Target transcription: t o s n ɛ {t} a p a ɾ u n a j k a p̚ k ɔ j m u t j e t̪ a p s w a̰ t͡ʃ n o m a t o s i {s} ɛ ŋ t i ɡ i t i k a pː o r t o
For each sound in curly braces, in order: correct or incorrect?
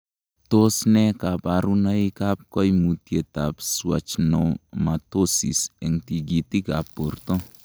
incorrect: k, correct

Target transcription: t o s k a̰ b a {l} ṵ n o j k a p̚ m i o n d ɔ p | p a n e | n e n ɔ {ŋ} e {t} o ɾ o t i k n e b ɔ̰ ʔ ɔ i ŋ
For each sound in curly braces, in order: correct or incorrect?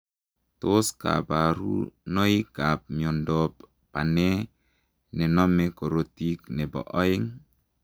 incorrect: ɾ, incorrect: m, incorrect: k

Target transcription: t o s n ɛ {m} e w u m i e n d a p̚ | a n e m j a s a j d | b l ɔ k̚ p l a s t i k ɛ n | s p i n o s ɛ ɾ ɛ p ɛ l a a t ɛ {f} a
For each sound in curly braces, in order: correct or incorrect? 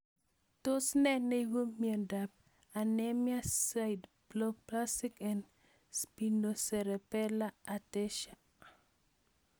incorrect: n, incorrect: ʃ

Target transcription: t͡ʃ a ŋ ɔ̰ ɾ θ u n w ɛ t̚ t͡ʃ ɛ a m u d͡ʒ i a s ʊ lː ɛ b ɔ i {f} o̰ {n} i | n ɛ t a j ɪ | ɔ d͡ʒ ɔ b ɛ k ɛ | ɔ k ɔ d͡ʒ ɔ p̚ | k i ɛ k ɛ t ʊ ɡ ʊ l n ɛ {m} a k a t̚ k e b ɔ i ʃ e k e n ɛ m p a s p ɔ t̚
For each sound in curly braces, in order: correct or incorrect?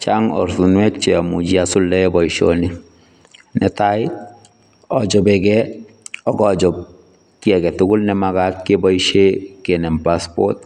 incorrect: ʃ, correct, correct

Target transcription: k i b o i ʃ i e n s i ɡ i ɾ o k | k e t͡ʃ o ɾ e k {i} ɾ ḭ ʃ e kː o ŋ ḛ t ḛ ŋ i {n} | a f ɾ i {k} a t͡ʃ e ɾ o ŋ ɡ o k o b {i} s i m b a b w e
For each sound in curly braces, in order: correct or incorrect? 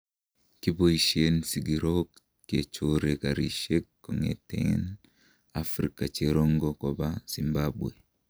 incorrect: a, correct, correct, incorrect: a

